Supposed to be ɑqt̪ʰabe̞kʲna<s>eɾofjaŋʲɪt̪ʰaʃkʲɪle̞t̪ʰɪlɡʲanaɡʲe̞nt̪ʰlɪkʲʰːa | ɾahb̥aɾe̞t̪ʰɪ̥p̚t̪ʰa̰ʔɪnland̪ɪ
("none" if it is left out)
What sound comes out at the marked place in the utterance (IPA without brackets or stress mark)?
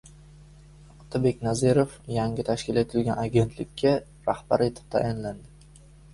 z